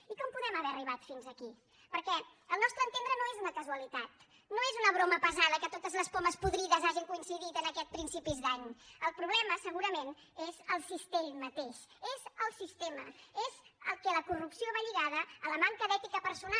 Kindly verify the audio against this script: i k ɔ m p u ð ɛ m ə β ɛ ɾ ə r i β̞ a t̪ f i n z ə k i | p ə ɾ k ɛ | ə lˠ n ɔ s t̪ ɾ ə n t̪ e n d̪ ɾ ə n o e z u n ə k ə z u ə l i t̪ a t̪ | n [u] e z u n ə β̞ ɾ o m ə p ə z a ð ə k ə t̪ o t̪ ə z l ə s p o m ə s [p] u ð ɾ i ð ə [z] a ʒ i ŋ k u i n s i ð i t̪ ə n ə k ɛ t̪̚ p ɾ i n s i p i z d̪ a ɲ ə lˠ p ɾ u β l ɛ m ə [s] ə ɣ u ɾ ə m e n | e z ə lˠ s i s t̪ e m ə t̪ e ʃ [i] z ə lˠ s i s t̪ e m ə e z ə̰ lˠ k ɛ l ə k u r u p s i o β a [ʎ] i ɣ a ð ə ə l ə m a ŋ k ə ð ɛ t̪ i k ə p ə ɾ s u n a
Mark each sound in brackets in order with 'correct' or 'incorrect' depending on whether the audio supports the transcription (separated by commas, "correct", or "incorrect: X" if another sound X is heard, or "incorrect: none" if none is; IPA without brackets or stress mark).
incorrect: o, correct, correct, correct, incorrect: e, correct